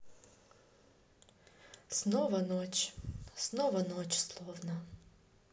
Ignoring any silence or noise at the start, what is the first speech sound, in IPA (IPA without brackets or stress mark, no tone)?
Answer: s